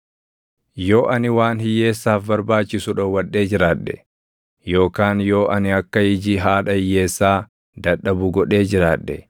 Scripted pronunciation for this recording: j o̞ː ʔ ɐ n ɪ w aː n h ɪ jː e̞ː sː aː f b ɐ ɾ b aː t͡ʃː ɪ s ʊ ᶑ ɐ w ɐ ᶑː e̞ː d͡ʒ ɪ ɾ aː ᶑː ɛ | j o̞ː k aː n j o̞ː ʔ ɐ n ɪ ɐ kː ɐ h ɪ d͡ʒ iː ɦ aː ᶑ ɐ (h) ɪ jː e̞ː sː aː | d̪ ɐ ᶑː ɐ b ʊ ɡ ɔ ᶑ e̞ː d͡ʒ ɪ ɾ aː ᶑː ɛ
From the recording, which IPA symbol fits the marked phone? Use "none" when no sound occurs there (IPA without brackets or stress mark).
h